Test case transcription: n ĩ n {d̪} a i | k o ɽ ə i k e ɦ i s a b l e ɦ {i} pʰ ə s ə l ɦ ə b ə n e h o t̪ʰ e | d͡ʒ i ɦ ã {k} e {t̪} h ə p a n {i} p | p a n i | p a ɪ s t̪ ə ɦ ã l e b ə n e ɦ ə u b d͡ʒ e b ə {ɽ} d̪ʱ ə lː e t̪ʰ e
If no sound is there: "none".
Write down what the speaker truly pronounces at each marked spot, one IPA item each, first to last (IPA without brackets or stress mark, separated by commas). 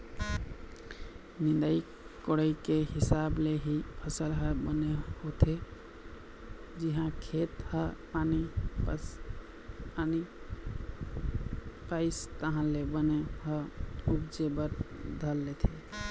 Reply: d̪, i, kʰ, t̪, i, ɾ